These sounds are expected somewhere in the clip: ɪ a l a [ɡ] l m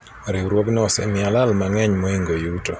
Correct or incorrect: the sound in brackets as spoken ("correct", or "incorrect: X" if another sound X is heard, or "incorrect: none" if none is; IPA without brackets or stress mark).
incorrect: none